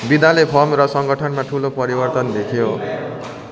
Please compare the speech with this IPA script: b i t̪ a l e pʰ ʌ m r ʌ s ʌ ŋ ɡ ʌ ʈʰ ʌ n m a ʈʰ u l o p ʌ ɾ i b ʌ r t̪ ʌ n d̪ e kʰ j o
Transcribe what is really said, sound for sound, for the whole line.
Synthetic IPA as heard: b i d̪ a l e pʰ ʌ m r ʌ s ʌ ŋ ɡ ʌ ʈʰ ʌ n m a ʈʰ u l o p ʌ ɾ i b ʌ r t̪ ʌ n d̪ e kʰ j o